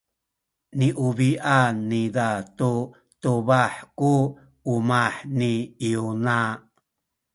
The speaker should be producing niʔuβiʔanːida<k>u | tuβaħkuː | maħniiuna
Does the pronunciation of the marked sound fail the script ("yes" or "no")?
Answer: yes